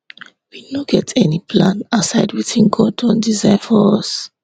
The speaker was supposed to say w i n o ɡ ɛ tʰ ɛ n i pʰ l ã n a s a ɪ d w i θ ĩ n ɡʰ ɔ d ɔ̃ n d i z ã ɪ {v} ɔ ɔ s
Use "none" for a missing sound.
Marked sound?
f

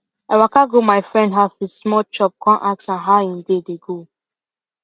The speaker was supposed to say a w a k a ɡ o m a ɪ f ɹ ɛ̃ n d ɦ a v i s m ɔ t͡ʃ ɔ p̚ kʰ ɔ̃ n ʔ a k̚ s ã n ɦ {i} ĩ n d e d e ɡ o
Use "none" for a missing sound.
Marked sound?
a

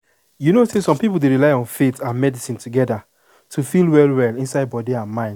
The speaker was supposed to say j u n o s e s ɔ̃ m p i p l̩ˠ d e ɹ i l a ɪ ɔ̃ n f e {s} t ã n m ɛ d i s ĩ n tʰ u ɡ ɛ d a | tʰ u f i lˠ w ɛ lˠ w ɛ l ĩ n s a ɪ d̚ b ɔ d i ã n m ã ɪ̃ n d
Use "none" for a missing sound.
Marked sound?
none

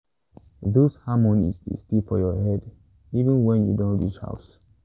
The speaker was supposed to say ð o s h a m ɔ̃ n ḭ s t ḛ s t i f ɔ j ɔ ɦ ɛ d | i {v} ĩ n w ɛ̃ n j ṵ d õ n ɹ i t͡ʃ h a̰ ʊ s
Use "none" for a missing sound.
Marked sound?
v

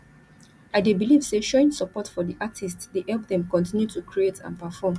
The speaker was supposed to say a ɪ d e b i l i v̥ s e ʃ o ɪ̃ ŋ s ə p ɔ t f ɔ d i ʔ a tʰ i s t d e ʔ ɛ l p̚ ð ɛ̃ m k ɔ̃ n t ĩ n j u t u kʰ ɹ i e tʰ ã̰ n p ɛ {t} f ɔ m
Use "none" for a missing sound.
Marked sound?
none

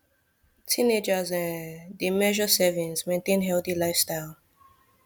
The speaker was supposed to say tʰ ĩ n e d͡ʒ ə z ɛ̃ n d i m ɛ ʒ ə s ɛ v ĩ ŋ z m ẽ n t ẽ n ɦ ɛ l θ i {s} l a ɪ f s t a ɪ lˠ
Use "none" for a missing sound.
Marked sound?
none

